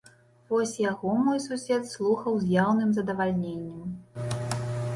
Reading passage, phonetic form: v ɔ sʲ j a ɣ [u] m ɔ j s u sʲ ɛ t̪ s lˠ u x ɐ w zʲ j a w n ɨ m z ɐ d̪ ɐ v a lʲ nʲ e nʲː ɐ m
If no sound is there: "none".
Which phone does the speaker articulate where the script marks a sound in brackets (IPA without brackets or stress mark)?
ɔ